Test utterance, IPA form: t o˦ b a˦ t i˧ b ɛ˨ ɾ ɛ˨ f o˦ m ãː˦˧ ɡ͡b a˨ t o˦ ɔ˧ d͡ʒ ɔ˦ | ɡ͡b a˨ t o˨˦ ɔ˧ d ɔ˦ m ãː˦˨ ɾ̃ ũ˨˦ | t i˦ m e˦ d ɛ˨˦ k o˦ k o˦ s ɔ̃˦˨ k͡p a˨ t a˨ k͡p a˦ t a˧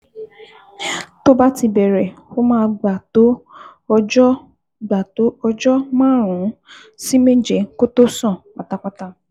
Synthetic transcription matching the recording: t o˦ b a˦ t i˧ b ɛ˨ ɾ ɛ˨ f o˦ m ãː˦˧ ɡ͡b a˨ t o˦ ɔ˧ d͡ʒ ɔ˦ | ɡ͡b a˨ t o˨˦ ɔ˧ d͡ʒ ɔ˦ m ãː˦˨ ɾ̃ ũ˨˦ | s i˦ m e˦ d͡ʒ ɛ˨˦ k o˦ t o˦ s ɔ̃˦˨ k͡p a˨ t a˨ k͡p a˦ t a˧